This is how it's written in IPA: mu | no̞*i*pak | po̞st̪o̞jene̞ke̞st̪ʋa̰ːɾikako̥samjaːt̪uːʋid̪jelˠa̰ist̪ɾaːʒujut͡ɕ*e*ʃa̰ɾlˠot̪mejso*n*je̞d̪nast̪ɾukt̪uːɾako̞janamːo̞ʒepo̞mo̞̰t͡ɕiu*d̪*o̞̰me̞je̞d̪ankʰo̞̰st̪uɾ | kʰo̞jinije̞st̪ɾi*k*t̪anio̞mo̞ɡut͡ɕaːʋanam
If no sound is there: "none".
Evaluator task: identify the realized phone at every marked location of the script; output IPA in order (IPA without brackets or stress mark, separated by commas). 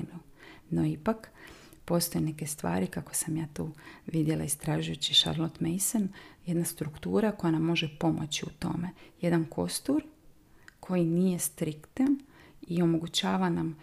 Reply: i, i, n, t̪, k